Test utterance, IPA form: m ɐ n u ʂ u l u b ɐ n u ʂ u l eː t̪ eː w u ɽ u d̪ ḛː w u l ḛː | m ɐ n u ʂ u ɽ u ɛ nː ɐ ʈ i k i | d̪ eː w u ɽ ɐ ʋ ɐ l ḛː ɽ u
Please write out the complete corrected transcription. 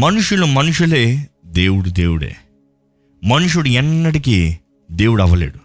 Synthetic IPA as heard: m ɐ n u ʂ u l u m ɐ n u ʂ u l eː d̪ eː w u ɽ u d̪ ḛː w u ɽ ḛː | m ɐ n u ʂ u ɽ u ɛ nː ɐ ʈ i k i | d̪ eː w u ɽ ɐ ʋ ɐ l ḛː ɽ u